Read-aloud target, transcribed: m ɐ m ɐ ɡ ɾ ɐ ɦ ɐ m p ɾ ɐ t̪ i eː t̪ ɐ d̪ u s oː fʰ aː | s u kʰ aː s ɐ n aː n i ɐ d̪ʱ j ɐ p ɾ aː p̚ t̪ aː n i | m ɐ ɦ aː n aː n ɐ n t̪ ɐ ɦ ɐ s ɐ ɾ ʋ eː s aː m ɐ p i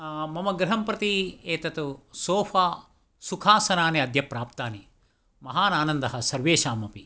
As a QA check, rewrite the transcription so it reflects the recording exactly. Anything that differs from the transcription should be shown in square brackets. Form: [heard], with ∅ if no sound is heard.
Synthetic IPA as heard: m ɐ m ɐ ɡ ɾ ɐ ɦ ɐ m p ɾ ɐ t̪ i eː t̪ ɐ [t̪] u s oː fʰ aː | s u kʰ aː s ɐ n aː n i ɐ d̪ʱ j ɐ p ɾ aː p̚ t̪ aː n i | m ɐ ɦ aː n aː n ɐ n [d̪] ɐ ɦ ɐ s ɐ ɾ ʋ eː [ʃ] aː m ɐ p i